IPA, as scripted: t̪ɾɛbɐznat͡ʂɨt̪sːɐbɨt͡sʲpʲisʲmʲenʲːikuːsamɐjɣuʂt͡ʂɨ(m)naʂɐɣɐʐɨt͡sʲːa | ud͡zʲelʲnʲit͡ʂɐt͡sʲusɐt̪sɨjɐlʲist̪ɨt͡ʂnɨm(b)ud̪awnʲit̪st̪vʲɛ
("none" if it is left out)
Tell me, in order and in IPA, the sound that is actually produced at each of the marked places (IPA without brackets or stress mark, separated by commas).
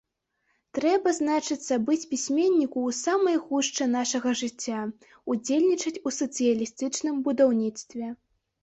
none, b